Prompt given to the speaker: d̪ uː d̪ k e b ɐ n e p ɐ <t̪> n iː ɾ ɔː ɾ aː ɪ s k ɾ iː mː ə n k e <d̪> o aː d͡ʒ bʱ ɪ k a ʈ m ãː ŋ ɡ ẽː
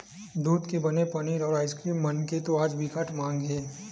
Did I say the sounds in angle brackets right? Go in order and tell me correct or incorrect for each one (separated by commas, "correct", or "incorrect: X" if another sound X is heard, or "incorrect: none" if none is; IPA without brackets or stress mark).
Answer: incorrect: none, incorrect: t̪